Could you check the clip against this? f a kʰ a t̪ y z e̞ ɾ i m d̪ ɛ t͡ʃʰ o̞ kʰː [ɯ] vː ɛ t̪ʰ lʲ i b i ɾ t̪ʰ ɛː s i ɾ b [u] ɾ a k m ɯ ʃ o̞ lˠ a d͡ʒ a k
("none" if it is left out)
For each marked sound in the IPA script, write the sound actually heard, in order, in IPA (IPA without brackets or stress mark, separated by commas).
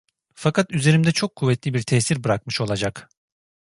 u, ɯ